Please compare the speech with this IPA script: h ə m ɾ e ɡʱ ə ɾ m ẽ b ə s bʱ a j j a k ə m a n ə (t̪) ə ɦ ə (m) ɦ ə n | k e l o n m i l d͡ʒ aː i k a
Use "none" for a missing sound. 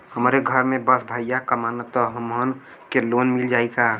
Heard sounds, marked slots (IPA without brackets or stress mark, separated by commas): t̪, m